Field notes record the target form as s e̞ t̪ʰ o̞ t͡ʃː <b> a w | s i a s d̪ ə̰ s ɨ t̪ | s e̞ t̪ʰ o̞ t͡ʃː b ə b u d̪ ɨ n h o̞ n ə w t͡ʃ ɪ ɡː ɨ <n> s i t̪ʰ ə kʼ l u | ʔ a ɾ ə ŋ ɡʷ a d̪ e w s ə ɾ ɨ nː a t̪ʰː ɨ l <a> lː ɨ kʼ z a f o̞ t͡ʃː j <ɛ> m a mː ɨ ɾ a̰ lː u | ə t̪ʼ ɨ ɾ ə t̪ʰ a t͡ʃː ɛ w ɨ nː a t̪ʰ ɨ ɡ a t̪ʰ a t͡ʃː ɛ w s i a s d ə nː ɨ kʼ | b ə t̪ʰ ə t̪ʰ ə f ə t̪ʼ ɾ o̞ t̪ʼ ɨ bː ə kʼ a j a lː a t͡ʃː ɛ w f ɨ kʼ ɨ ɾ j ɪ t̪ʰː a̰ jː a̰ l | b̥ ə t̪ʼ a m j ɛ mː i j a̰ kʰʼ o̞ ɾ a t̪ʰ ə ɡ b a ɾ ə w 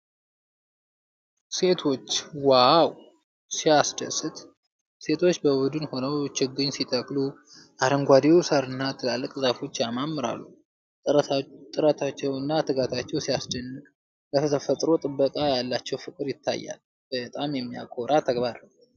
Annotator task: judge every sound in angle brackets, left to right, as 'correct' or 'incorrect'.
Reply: incorrect, incorrect, correct, incorrect

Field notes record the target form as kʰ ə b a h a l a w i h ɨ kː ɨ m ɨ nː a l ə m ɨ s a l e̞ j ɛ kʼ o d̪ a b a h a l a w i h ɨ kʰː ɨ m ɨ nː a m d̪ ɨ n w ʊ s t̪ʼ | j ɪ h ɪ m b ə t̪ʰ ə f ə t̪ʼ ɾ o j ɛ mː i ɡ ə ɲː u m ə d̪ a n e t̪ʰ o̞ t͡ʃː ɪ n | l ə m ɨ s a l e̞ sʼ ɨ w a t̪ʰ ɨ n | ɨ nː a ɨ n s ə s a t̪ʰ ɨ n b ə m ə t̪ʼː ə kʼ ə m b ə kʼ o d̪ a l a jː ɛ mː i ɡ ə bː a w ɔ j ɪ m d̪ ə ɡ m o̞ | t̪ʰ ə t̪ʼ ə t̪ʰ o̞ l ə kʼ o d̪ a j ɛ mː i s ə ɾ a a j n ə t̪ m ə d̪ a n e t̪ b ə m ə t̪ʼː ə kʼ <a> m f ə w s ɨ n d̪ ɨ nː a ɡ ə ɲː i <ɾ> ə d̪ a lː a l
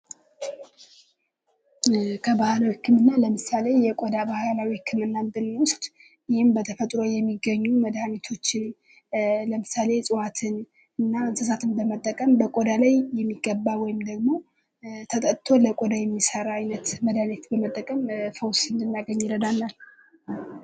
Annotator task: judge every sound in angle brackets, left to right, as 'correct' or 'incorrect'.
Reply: incorrect, correct

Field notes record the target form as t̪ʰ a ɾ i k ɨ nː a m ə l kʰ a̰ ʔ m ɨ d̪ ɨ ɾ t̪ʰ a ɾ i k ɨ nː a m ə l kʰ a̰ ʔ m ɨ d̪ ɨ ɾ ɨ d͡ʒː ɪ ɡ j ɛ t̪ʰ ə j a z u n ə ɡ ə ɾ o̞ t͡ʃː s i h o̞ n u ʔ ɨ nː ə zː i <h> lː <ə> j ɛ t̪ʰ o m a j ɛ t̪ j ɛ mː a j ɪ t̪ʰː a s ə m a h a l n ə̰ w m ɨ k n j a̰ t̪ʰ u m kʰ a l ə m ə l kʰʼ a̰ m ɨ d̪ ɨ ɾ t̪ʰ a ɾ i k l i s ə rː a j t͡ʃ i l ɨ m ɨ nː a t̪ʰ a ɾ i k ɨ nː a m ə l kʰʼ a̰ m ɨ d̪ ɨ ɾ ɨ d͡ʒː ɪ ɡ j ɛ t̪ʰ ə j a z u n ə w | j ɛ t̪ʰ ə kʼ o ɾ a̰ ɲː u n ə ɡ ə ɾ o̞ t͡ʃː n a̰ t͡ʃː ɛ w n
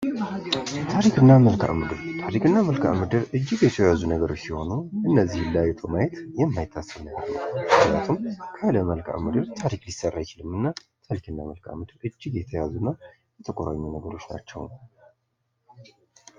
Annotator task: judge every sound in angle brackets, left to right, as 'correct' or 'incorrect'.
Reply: correct, incorrect

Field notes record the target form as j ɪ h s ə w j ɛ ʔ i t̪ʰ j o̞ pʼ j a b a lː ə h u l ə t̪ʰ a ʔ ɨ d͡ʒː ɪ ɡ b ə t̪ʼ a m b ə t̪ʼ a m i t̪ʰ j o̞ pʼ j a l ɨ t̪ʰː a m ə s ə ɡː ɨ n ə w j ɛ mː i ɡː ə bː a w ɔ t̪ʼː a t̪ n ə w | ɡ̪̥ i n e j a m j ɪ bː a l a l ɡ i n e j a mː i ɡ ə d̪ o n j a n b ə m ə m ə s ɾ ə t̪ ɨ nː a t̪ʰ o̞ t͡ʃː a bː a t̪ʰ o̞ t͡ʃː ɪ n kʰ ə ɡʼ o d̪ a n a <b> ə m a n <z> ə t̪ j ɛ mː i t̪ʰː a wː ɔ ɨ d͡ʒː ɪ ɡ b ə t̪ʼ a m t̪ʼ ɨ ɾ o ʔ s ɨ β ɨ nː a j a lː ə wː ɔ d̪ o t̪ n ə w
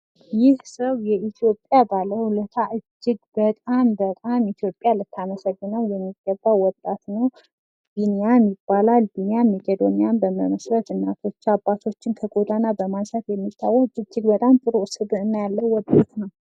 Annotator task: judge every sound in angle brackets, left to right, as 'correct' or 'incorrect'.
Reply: correct, incorrect

